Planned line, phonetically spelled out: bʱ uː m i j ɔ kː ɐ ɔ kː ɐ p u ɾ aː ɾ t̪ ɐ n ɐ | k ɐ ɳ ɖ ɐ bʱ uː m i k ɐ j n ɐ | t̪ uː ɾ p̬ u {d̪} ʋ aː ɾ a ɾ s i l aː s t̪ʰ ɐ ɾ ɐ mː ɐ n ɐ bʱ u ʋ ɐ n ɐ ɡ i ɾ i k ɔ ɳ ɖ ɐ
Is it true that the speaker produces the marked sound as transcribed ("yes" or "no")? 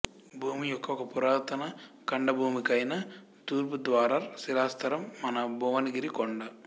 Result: yes